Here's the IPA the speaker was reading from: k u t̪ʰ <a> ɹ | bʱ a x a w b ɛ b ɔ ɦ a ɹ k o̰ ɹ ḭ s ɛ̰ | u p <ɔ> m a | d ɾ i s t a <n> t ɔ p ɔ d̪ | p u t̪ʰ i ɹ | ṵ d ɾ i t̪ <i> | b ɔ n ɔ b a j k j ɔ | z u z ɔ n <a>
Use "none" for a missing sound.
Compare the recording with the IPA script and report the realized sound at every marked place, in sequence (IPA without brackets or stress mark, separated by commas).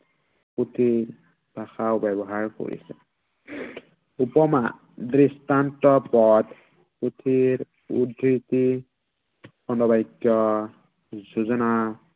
i, ɔ, n, i, a